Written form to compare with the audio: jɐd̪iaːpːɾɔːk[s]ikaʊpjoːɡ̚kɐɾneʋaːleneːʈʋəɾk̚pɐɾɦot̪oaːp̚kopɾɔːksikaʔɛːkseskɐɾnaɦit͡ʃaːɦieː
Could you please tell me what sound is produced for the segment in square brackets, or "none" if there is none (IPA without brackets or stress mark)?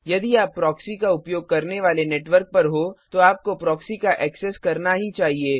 s